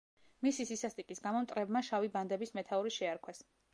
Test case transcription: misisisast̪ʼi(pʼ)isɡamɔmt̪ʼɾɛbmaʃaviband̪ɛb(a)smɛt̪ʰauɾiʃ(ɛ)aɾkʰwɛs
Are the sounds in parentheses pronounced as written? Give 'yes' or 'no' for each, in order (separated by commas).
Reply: no, no, yes